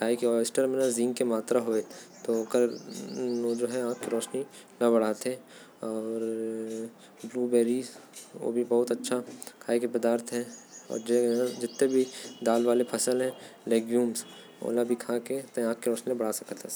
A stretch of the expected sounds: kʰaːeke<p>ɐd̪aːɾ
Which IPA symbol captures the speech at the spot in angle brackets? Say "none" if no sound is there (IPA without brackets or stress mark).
p